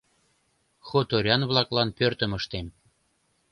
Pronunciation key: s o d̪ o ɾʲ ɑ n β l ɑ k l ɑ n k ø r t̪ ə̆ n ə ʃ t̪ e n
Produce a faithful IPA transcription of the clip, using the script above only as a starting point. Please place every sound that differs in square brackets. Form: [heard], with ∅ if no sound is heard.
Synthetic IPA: [x] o [t̪] o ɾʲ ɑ n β l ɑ k l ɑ n [p] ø r t̪ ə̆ [m] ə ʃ t̪ e [m]